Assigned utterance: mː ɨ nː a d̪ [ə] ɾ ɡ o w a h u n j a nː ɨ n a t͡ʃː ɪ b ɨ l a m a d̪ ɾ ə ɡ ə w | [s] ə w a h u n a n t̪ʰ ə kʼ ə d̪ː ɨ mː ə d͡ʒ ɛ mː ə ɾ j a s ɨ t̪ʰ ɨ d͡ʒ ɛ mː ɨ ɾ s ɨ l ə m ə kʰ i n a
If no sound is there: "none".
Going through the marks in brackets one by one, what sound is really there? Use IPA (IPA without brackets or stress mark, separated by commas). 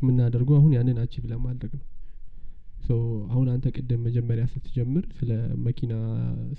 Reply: ə, s